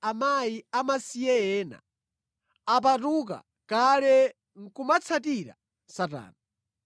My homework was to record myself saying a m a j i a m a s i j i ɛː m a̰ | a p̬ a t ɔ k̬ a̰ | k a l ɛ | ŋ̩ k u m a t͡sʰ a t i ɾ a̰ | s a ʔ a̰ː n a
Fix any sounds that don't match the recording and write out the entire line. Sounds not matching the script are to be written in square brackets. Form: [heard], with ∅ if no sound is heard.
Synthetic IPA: a m a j i a m a s i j [ɛ] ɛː [n] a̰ | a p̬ a t [u] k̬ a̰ | k a l ɛ | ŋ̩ k u m a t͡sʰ a t i ɾ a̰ | s a [t] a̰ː n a